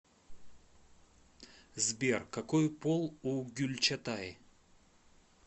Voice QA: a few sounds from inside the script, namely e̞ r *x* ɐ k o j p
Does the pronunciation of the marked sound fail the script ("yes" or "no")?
yes